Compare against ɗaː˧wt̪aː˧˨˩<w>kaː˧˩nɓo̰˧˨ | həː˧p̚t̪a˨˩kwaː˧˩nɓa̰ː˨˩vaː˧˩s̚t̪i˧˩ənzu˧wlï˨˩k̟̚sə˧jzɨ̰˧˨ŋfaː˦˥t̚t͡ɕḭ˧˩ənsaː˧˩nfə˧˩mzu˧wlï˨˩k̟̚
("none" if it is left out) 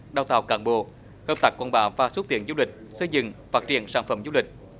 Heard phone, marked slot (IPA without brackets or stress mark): w